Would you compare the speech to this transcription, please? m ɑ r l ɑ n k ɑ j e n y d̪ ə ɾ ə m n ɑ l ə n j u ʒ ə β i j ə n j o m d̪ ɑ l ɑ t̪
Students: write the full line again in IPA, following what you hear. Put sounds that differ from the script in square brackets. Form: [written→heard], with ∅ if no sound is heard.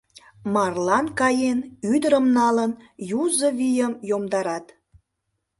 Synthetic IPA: m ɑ r l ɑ n k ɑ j e n y d̪ ə ɾ ə m n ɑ l ə n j u [ʒ→z] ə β i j ə [n→m] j o m d̪ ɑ [l→ɾ] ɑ t̪